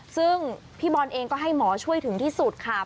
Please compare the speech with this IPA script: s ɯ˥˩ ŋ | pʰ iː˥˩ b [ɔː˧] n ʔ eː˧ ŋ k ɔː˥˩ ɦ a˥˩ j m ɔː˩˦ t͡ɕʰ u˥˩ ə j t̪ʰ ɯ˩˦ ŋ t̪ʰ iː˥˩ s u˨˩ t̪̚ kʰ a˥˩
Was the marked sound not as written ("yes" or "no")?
no